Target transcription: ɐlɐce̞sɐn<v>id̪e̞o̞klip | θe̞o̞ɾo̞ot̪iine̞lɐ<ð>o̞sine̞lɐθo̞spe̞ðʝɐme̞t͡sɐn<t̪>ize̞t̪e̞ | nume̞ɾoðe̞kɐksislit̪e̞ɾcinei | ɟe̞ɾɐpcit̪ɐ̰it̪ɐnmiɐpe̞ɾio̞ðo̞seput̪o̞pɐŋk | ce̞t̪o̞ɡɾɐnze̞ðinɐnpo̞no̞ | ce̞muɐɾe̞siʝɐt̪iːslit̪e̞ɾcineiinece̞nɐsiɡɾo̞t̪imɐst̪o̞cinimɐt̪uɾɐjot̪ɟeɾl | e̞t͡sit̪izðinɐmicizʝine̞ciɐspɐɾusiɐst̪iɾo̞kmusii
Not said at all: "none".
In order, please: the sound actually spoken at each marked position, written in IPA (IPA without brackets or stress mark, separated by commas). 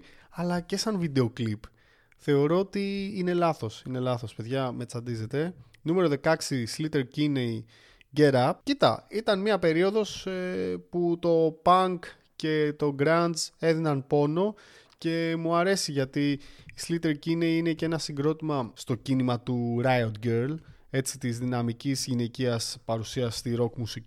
v, θ, d̪